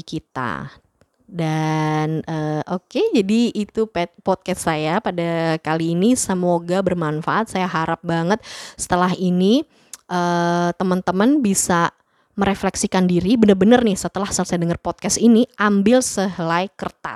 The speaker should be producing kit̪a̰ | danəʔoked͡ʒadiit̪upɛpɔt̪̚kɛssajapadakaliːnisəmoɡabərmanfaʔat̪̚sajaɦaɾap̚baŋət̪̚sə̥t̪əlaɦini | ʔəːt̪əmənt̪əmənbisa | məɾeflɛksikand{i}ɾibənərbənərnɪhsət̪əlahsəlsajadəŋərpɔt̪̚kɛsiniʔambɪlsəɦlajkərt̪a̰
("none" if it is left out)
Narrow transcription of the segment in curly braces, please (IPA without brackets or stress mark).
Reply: i